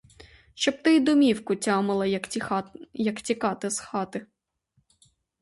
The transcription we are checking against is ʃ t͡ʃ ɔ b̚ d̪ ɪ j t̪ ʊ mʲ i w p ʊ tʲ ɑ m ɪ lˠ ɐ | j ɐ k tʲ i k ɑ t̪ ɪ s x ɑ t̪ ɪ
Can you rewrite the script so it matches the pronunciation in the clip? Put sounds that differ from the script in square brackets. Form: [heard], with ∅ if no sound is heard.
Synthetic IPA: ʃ t͡ʃ ɔ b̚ [t̪] ɪ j [d̪] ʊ mʲ i w [k] ʊ tʲ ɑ m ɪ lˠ ɐ | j ɐ k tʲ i k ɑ t̪ ɪ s x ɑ t̪ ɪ